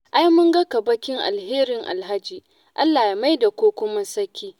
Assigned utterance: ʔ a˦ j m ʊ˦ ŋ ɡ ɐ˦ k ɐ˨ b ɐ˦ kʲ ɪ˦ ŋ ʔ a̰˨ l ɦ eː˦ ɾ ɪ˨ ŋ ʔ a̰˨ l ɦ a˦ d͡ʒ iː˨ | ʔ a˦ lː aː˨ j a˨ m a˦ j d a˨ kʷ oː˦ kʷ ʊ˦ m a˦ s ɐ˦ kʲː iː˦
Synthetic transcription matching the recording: ʔ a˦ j m ʊ˦ ŋ ɡ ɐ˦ k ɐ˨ b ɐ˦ kʲ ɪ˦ ŋ ʔ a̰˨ l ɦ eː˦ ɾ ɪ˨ ŋ ʔ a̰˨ l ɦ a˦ d͡ʒ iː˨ | ʔ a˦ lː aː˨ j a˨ m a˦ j d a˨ kʷ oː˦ kʷ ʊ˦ m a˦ s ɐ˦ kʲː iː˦